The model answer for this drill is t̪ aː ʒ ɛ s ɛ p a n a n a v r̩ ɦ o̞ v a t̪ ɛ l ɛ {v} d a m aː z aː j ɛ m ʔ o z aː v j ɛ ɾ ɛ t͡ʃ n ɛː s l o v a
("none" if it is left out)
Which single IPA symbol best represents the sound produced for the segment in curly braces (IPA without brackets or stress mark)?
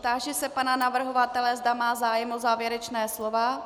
z